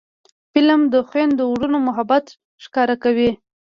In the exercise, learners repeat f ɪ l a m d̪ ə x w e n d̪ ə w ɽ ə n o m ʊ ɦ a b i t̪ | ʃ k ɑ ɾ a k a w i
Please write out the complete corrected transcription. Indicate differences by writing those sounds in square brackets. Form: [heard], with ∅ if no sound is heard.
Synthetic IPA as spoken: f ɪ l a m d̪ ə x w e n d̪ ə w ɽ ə n o m ʊ ɦ a b [a] t̪ | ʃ k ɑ ɾ a k a w i